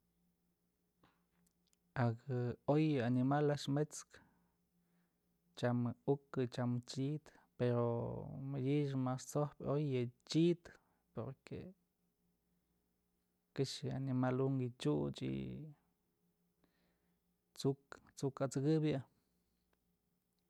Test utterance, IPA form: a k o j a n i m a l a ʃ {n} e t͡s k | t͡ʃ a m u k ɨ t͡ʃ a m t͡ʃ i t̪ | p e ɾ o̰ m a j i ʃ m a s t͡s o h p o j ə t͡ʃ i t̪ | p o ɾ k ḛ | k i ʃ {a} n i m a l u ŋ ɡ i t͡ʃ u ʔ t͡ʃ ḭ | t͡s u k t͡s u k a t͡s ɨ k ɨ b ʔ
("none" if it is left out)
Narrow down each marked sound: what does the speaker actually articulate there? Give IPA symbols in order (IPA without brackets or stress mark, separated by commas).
m, a